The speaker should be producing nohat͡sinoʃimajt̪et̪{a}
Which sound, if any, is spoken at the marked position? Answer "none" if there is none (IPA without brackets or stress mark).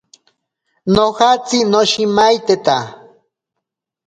a